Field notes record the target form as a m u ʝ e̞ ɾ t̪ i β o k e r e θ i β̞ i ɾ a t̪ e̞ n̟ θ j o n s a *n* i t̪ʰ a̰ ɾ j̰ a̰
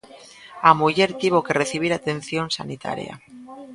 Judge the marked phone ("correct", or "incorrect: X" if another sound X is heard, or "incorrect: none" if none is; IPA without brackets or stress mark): correct